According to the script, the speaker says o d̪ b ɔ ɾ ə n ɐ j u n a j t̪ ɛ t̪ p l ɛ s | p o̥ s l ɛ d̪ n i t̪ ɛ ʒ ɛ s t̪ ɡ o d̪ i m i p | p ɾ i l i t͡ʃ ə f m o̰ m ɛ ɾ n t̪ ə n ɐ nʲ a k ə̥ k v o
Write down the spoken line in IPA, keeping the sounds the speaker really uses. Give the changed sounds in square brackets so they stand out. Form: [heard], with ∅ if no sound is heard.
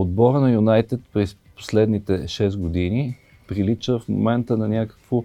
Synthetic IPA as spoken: o d̪ b ɔ ɾ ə n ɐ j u n a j t̪ ɛ t̪ p [ɾ] ɛ s | p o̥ s l ɛ d̪ n i t̪ ɛ [ʃ] ɛ s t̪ ɡ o d̪ i [n] i [∅] | p ɾ i l i t͡ʃ ə f m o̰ m ɛ [∅] n t̪ ə n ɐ nʲ a k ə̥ k v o